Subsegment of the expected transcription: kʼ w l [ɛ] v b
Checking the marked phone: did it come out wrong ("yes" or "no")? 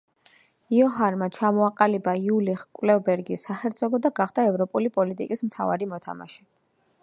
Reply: no